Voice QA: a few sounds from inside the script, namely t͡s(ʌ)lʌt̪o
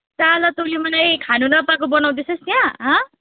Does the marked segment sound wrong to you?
yes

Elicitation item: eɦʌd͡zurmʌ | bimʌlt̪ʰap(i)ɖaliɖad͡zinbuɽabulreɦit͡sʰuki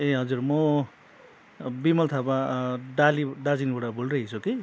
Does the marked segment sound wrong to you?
yes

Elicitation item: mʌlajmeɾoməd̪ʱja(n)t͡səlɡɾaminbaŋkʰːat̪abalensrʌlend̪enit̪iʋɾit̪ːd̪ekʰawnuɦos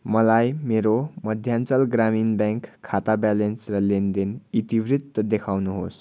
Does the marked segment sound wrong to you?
no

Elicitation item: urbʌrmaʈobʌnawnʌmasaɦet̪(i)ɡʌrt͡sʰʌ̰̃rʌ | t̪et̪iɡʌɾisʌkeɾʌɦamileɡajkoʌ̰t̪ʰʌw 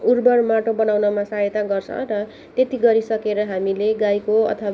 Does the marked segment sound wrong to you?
yes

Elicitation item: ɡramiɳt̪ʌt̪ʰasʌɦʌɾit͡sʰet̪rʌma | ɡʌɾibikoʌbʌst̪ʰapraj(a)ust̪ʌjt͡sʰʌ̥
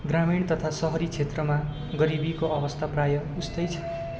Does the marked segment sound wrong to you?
yes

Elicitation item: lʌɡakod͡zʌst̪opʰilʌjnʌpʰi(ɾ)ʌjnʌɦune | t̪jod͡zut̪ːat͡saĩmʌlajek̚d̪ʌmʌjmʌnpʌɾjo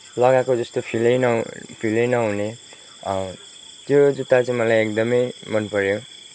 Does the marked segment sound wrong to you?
yes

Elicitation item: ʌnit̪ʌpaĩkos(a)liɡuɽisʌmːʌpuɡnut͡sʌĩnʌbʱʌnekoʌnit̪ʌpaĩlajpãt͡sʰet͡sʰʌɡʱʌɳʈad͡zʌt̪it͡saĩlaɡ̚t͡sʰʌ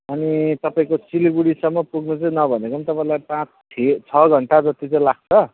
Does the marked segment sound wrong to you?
yes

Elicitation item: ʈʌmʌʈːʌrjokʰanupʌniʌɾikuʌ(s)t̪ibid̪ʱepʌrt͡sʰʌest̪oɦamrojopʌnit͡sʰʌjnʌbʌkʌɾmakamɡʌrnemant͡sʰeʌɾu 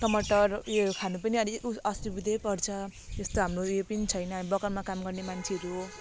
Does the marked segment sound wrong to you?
no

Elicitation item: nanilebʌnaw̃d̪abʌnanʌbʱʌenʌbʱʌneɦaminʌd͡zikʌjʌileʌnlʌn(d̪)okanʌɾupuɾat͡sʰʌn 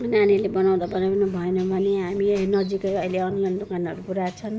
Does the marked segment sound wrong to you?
no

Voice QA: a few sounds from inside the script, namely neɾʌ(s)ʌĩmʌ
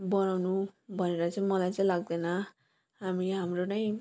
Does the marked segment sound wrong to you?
yes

